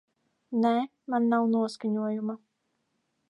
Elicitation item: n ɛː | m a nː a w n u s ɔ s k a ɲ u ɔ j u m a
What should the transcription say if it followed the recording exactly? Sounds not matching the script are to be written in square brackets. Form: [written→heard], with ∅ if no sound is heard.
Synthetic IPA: n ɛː | m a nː a w n u [s→∅] ɔ s k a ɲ u ɔ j u m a